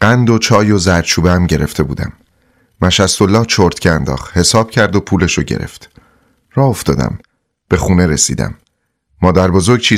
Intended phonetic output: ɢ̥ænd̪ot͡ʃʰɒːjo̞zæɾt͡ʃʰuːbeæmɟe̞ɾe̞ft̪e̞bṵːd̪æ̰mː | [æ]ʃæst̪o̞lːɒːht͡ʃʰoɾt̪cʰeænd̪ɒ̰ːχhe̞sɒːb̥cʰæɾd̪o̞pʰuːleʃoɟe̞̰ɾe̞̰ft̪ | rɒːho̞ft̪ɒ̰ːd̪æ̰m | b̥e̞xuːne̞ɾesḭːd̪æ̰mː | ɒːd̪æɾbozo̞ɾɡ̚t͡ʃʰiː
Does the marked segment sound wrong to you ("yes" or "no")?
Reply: no